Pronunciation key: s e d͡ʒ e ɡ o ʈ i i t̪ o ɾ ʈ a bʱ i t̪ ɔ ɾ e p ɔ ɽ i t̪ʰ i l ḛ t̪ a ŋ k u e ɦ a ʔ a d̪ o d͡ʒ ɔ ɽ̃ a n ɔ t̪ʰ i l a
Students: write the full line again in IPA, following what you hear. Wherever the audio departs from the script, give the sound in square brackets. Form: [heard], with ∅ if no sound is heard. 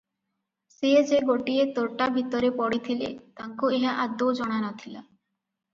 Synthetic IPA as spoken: s e d͡ʒ e ɡ o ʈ i [e] t̪ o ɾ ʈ a bʱ i t̪ ɔ ɾ e p ɔ ɽ i t̪ʰ i l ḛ t̪ a ŋ k u e ɦ a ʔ a d̪ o d͡ʒ ɔ ɽ̃ a n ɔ t̪ʰ i l a